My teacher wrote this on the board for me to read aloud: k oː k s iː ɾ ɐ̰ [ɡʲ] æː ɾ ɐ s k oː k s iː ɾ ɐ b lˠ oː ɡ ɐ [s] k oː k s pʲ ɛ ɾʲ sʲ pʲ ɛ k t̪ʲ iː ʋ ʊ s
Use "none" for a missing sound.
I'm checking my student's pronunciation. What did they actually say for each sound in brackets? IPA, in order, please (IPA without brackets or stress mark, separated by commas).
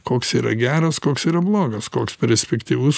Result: ɡʲ, s